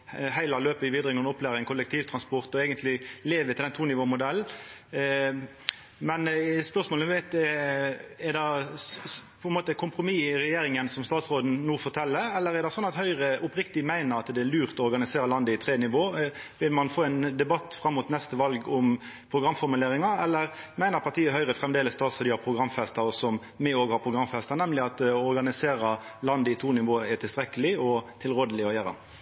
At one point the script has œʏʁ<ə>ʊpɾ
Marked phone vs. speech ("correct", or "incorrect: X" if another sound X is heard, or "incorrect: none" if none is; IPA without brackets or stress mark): correct